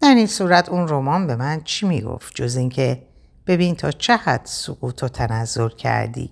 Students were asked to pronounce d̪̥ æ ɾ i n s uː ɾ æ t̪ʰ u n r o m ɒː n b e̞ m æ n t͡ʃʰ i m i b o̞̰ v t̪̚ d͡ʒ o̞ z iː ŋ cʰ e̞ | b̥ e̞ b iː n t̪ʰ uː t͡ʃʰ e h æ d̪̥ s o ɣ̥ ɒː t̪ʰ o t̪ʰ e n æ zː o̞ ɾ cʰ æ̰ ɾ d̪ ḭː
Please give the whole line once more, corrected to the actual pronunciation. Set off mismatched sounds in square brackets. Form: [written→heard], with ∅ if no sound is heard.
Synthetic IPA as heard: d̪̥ æ ɾ i n s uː ɾ æ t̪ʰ u n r o m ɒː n b e̞ m æ n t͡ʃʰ i m i [b→ɡ] o̞̰ [v→f] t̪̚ d͡ʒ o̞ z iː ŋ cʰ e̞ | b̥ e̞ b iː n t̪ʰ [uː→ɒː] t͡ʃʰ e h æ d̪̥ s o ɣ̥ [ɒː→uː] t̪ʰ o t̪ʰ [e→æ] n æ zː o̞ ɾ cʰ æ̰ ɾ d̪ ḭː